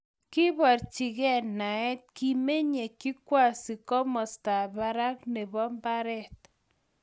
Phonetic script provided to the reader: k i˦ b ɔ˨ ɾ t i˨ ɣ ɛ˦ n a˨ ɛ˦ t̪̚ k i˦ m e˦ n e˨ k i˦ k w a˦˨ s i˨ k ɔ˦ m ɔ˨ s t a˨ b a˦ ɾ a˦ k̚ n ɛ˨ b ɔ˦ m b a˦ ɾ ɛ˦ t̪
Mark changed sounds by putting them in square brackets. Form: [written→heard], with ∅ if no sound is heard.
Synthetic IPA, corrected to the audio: k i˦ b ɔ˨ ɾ [t→t͡ʃ] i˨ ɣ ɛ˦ n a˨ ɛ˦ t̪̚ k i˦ m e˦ [n→ɲ] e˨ k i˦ k w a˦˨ s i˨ k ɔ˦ m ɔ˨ s t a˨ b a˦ ɾ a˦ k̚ n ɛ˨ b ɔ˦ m b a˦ ɾ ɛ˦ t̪